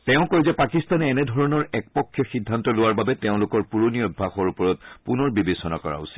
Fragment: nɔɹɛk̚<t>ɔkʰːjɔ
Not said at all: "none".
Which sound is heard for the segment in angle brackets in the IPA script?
p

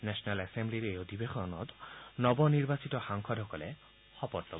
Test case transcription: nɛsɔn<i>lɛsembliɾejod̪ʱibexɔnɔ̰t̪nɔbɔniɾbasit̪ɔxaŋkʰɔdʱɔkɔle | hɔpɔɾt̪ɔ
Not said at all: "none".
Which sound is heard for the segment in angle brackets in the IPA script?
a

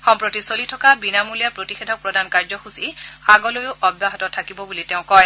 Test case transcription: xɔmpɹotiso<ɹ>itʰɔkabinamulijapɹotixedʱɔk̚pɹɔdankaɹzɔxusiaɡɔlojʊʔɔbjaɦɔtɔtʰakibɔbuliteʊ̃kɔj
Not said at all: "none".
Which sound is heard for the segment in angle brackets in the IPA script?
l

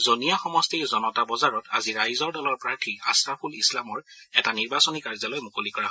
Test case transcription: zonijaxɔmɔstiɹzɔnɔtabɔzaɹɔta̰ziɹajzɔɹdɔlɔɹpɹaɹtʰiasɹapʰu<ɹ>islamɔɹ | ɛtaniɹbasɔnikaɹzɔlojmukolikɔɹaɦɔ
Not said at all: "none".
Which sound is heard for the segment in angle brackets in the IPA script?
l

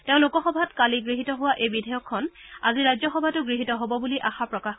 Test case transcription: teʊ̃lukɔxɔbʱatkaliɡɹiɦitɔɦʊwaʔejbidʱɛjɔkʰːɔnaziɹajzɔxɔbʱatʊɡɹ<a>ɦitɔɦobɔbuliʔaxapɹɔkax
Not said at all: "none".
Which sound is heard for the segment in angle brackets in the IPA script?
i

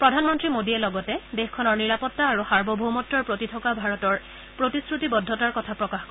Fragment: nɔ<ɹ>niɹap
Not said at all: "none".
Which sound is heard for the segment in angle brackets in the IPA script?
ɹ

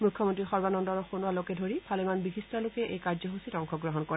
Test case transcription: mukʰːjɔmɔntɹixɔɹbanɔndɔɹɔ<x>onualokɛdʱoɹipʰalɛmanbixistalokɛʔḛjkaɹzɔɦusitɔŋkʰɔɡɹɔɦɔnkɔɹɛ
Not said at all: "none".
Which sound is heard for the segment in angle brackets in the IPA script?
x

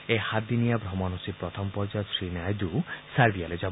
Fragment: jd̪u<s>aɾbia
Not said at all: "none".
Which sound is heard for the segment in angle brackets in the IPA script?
s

